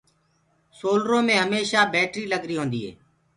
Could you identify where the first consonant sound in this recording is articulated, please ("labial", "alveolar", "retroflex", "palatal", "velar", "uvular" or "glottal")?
alveolar